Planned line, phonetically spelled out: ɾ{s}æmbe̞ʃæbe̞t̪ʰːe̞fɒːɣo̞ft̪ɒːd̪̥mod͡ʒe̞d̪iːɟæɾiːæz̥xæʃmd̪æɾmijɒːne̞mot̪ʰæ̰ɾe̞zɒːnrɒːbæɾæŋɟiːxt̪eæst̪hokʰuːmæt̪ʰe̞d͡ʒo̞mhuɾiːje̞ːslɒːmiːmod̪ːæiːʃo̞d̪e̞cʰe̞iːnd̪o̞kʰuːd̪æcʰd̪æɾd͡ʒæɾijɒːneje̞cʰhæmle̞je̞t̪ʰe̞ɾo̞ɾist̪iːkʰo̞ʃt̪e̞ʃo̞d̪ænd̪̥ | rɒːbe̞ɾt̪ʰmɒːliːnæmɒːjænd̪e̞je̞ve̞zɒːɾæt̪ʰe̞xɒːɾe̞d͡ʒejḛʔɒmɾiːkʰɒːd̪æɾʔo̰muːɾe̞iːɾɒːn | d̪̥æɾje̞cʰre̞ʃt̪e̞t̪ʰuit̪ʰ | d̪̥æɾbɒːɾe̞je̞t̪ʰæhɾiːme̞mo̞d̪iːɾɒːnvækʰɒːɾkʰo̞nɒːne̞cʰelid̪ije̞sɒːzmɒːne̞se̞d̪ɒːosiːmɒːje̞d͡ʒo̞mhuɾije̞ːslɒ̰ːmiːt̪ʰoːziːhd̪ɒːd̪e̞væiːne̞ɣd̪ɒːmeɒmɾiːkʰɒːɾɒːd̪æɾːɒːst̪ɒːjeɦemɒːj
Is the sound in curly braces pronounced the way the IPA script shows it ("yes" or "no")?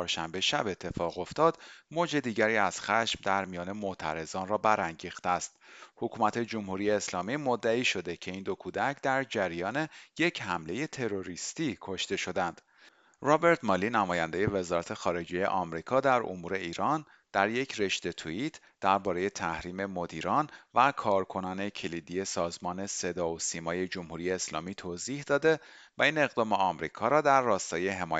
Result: no